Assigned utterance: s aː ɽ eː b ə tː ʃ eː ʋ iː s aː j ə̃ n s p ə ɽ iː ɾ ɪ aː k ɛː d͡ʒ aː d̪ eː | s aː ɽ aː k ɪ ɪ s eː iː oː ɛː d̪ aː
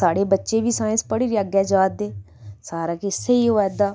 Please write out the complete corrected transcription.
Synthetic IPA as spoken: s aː ɽ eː b ə tː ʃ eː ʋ iː s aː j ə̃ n s p ə ɽ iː ɾ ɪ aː ɡ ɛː d͡ʒ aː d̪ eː | s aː ɾ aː k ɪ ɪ s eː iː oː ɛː d̪ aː

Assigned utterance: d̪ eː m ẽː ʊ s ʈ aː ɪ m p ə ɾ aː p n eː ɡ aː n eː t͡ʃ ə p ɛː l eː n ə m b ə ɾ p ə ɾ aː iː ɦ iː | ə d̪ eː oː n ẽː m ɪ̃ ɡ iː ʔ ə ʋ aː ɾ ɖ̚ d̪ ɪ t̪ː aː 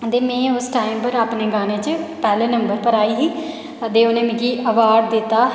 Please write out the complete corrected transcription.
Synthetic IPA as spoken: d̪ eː m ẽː ʊ s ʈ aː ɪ m p ə ɾ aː p n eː ɡ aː n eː t͡ʃ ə p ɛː l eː n ə m b ə ɾ p ə ɾ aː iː ɦ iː | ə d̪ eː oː n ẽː m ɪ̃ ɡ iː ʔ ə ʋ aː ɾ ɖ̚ d̪ ɪ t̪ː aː

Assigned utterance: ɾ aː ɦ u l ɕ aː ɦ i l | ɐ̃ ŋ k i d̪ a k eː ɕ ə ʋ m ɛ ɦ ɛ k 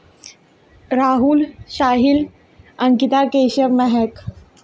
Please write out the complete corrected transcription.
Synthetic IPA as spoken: ɾ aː ɦ u l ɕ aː ɦ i l | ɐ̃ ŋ k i t̪ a k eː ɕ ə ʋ m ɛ ɦ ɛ k

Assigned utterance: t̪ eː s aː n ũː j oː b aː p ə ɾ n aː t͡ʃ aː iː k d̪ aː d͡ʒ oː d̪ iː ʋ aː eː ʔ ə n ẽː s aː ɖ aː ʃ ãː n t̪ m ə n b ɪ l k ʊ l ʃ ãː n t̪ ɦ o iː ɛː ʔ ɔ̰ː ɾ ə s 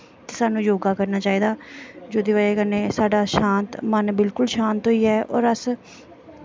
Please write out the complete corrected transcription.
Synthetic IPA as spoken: t̪ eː s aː n ũː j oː ɡ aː k ə ɾ n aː t͡ʃ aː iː d̪ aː d͡ʒ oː d̪ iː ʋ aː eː k ə n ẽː s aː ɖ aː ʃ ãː n t̪ m ə n b ɪ l k ʊ l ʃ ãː n t̪ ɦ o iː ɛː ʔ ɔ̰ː ɾ ə s

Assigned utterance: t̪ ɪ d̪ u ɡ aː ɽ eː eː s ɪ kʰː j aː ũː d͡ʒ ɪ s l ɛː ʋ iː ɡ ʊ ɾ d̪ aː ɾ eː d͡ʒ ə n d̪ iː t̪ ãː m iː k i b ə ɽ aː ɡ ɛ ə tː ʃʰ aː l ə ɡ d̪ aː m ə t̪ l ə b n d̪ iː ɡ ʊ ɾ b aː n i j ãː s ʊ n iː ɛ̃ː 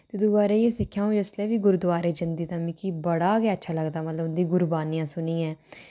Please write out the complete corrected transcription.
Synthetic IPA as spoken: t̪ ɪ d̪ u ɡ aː ɾ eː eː s ɪ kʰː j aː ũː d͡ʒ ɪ s l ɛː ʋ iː ɡ ʊ ɾ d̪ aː ɾ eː d͡ʒ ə n d̪ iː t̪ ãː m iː k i b ə ɽ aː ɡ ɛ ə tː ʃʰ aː l ə ɡ d̪ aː m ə t̪ l ə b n d̪ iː ɡ ʊ ɾ b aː n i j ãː s ʊ n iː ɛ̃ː

